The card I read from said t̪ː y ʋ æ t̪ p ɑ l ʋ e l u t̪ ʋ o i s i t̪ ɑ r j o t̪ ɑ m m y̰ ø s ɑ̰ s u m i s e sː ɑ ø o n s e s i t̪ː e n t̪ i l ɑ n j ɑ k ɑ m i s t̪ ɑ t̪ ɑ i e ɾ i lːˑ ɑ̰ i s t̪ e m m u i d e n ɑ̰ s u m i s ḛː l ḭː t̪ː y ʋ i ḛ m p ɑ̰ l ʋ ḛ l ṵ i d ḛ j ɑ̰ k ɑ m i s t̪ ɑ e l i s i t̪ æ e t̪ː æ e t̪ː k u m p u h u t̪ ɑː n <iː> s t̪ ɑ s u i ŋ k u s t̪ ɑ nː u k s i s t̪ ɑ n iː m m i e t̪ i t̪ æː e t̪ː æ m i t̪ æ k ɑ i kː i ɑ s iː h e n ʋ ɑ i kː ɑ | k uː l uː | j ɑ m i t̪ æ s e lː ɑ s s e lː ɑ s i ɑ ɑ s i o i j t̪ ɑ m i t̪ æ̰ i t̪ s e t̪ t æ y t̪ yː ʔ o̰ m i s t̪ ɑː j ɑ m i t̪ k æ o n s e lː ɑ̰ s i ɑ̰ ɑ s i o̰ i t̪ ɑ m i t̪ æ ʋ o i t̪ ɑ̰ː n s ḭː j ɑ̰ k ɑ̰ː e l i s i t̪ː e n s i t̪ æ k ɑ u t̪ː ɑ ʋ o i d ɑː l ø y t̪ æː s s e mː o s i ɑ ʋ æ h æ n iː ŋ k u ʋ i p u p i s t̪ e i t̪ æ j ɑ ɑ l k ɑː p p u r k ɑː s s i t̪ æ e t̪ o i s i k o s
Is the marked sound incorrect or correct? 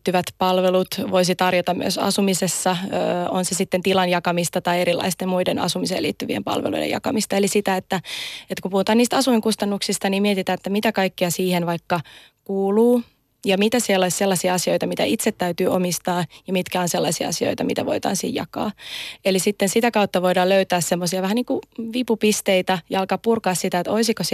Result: correct